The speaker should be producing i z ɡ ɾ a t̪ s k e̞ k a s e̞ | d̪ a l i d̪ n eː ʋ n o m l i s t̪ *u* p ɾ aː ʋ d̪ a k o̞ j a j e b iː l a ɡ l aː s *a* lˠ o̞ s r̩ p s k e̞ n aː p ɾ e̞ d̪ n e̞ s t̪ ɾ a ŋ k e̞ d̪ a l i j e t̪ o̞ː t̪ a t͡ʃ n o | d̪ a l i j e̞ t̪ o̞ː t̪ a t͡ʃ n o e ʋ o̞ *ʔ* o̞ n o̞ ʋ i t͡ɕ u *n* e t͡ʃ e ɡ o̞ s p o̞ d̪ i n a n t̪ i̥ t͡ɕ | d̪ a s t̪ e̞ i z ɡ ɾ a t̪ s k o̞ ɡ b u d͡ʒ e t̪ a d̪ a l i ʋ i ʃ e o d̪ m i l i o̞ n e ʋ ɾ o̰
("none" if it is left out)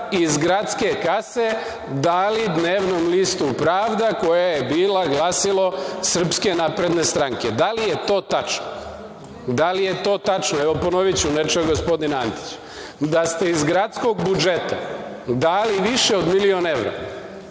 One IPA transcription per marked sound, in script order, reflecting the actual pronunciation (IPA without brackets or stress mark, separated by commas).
u, i, p, n